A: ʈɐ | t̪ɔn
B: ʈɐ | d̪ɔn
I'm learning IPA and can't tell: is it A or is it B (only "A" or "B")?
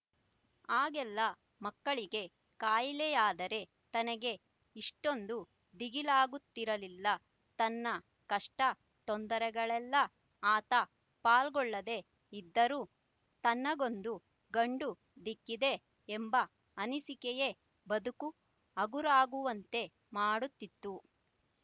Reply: A